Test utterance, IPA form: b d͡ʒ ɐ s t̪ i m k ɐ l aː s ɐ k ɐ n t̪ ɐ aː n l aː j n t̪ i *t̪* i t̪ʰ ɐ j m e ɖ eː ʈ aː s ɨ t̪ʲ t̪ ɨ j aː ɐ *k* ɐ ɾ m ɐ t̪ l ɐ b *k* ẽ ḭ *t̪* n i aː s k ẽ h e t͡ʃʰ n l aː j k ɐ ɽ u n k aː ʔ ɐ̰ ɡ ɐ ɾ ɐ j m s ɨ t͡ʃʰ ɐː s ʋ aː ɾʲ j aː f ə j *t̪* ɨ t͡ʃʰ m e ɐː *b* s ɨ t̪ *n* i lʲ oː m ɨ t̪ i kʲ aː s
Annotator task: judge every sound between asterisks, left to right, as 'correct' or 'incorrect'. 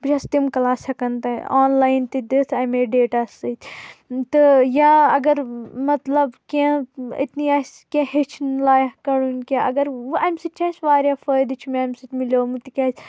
incorrect, incorrect, correct, correct, incorrect, incorrect, incorrect

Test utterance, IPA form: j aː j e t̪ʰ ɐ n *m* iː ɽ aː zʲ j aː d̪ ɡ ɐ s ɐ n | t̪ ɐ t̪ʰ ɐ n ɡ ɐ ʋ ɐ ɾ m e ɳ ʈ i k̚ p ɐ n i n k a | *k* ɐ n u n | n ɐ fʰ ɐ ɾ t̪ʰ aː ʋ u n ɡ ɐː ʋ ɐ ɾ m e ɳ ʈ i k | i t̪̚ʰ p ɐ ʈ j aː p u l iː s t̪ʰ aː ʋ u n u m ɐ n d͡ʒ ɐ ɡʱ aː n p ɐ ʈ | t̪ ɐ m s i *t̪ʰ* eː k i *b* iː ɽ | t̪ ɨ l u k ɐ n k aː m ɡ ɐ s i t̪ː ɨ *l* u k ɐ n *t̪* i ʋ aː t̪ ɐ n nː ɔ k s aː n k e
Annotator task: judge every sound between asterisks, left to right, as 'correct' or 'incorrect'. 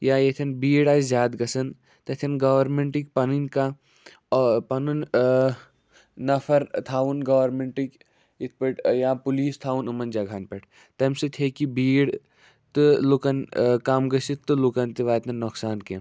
incorrect, incorrect, correct, correct, correct, correct

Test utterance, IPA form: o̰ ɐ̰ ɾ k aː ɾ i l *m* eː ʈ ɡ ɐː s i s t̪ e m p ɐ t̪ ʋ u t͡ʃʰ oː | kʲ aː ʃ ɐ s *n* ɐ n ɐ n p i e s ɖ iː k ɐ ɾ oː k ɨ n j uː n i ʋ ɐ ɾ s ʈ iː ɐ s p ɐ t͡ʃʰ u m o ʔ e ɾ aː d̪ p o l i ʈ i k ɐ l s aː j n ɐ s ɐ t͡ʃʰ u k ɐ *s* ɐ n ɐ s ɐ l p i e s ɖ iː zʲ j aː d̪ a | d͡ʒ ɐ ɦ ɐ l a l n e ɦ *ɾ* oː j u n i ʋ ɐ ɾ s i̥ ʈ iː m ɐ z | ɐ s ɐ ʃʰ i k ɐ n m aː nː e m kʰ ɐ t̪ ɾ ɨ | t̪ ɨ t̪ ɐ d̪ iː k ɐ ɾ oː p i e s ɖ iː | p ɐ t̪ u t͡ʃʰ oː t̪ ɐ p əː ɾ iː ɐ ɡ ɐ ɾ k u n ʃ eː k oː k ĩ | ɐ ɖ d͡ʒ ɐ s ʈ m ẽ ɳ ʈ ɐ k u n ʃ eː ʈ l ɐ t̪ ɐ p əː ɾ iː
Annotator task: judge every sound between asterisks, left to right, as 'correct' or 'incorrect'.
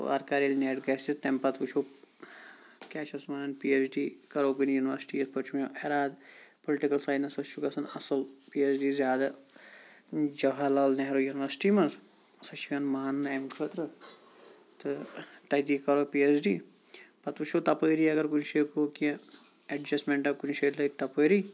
incorrect, incorrect, correct, correct

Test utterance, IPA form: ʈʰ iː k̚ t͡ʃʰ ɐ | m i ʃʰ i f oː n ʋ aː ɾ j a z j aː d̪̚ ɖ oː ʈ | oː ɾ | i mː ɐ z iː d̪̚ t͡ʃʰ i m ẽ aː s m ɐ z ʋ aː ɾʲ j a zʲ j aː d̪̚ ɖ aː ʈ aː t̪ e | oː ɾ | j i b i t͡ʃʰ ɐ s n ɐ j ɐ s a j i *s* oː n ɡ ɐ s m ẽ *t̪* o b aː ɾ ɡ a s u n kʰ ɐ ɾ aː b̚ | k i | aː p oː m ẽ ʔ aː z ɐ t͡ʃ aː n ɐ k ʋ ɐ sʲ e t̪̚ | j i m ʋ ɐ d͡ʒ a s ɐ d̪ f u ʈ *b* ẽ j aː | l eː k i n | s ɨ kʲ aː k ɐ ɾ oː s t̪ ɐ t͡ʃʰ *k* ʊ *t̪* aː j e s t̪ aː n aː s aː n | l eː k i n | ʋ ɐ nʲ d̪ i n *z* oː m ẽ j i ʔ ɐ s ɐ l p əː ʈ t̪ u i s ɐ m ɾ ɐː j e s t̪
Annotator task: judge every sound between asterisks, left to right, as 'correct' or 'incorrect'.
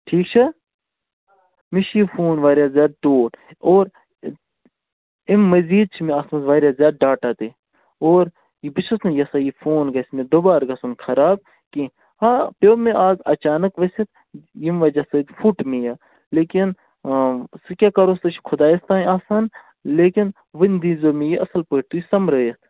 incorrect, incorrect, incorrect, incorrect, incorrect, correct

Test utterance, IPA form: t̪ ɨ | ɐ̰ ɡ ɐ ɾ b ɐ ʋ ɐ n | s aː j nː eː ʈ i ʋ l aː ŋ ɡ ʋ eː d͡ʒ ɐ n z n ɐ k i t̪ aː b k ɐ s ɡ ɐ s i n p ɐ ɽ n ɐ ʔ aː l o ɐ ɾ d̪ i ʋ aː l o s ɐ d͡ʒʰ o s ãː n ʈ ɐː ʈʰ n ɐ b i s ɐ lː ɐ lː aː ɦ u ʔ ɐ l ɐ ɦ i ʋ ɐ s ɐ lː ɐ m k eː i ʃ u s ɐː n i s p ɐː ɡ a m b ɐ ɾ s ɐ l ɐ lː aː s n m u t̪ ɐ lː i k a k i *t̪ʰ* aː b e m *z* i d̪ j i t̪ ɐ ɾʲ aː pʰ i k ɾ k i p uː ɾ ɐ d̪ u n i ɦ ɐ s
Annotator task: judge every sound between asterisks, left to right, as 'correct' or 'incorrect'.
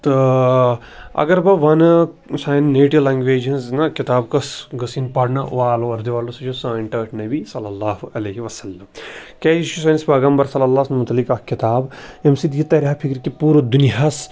incorrect, incorrect

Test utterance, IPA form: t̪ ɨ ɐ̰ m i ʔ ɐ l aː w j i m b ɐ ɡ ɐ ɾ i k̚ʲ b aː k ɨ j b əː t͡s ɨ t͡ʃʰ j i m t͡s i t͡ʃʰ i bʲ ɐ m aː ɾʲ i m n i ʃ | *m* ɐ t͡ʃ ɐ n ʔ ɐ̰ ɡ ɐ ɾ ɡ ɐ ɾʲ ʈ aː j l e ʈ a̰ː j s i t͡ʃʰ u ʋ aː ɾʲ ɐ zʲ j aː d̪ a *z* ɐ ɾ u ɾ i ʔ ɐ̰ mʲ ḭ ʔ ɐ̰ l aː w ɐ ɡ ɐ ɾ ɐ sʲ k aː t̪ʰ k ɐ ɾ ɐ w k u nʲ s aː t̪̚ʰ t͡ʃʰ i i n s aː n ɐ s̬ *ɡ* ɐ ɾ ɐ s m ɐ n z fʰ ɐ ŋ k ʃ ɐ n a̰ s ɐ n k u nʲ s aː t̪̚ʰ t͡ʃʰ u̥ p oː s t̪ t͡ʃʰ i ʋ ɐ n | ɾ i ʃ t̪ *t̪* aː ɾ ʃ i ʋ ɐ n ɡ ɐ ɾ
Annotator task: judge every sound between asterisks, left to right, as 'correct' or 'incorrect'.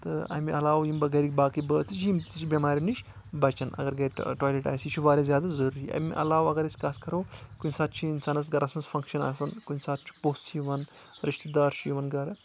incorrect, correct, correct, incorrect

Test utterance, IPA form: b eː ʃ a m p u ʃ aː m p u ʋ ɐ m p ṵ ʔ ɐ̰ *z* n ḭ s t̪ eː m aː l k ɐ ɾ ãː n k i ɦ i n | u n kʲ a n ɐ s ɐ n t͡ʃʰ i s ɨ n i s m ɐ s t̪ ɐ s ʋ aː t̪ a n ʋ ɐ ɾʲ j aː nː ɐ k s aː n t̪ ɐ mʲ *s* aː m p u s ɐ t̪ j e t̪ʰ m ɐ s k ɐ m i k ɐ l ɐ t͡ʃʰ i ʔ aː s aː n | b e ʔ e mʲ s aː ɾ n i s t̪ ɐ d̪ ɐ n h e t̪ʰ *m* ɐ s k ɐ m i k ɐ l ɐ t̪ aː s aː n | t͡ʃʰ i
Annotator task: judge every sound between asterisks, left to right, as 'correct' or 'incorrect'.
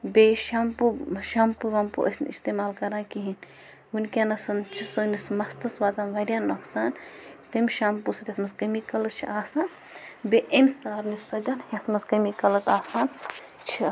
incorrect, incorrect, correct

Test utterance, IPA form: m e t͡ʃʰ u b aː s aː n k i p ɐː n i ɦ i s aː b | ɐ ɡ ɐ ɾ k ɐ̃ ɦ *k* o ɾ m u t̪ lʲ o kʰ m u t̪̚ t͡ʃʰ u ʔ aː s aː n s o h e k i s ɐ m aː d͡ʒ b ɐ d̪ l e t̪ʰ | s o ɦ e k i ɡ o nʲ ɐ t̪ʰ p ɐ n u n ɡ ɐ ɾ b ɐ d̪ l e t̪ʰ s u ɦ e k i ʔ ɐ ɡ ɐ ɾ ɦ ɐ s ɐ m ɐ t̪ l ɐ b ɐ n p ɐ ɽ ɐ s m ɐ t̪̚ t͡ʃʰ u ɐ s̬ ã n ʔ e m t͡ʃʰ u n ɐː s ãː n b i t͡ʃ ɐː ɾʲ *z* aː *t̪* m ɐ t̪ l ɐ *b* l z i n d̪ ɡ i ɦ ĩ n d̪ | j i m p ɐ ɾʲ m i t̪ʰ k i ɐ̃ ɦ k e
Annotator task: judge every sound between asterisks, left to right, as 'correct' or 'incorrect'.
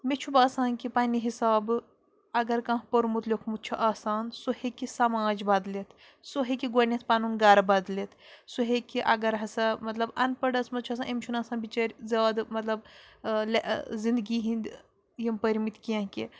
incorrect, correct, incorrect, correct

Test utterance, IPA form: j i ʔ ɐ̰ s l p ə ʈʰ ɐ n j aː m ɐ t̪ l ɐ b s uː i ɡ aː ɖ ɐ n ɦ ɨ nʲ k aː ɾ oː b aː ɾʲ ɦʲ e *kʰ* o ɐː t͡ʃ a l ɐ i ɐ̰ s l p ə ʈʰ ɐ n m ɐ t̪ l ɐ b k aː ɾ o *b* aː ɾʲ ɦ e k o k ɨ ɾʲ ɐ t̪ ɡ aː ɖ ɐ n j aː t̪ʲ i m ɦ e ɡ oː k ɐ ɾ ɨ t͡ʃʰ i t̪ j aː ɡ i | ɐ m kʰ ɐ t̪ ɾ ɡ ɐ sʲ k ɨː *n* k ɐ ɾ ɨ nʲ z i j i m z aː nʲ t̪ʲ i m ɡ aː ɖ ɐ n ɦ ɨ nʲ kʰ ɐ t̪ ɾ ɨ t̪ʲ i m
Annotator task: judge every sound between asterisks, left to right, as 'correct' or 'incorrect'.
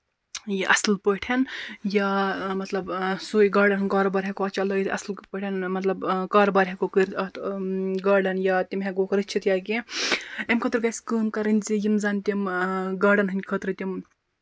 incorrect, correct, incorrect

